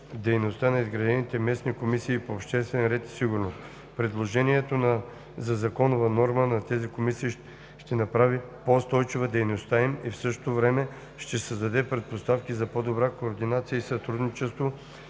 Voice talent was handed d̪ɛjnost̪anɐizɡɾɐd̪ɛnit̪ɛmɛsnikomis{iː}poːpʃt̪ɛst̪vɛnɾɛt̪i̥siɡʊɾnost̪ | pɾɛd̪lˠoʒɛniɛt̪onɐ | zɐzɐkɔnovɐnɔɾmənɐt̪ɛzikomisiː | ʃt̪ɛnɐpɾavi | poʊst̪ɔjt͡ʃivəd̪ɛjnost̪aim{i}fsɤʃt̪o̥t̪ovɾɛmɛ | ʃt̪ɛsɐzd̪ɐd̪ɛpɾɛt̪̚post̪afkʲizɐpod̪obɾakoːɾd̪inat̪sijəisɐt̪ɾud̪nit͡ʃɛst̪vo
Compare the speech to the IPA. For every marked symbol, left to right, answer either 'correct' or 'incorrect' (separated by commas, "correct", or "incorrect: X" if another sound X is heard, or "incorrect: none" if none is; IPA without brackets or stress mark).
correct, correct